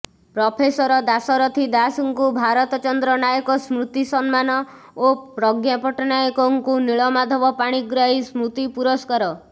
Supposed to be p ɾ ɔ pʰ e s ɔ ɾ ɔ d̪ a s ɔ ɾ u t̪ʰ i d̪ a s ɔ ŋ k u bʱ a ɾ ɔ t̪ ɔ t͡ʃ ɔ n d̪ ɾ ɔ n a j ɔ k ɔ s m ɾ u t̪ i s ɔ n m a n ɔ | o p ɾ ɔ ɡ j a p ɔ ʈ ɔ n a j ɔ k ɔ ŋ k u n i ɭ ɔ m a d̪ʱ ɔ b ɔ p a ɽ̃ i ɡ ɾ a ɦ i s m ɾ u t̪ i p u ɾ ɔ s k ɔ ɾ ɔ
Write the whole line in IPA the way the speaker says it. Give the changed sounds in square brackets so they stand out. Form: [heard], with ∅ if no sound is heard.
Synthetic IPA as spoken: p ɾ ɔ pʰ e s ɔ ɾ ɔ d̪ a s ɔ ɾ [ɔ] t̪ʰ i d̪ a s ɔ ŋ k u bʱ a ɾ ɔ t̪ ɔ t͡ʃ ɔ n d̪ ɾ ɔ n a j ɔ k ɔ s m ɾ u t̪ i s ɔ n m a n ɔ | o p ɾ ɔ ɡ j a p ɔ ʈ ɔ n a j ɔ k ɔ ŋ k u n i ɭ ɔ m a d̪ʱ ɔ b ɔ p a ɽ̃ i ɡ ɾ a ɦ i s m ɾ u t̪ i p u ɾ ɔ s k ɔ ɾ ɔ